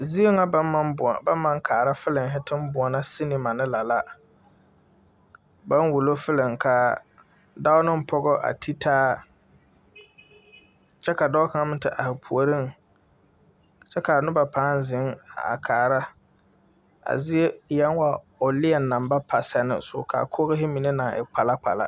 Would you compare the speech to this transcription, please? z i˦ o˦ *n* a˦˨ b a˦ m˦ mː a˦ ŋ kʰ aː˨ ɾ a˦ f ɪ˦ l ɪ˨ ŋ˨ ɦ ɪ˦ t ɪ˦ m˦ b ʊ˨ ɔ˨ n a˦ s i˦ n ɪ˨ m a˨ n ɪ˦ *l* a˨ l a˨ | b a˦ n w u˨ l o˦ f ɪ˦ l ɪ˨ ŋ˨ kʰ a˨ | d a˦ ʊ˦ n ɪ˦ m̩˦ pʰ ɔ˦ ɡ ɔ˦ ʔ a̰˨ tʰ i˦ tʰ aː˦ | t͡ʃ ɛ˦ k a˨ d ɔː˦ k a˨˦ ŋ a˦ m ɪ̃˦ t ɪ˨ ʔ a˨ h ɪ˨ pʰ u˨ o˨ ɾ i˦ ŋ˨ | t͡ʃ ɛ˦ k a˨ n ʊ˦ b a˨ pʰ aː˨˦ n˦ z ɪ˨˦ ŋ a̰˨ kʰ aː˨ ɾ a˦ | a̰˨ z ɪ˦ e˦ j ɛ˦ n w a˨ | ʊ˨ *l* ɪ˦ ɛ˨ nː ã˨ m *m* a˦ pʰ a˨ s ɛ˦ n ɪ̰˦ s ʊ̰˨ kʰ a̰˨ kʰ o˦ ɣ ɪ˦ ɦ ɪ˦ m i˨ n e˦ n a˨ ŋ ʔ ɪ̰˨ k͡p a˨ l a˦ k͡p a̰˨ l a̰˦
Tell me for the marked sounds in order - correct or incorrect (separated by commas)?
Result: incorrect, correct, correct, incorrect